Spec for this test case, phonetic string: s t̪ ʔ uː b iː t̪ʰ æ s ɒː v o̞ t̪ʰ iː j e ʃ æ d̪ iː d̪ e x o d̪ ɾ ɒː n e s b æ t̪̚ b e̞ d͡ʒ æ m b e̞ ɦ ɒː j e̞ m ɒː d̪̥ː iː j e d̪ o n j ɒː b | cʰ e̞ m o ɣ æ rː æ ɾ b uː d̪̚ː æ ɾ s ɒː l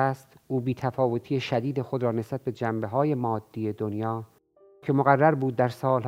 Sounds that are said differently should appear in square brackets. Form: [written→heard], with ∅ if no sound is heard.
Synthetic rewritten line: s t̪ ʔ uː b iː t̪ʰ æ [s→f] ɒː v o̞ t̪ʰ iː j e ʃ æ d̪ iː d̪ e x o d̪ ɾ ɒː n e s b æ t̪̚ b e̞ d͡ʒ æ m b e̞ ɦ ɒː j e̞ m ɒː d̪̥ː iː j e d̪ o n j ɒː [b→∅] | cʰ e̞ m o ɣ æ rː æ ɾ b uː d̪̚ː æ ɾ s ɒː l